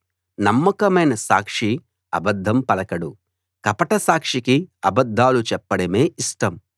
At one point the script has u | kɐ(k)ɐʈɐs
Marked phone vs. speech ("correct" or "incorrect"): incorrect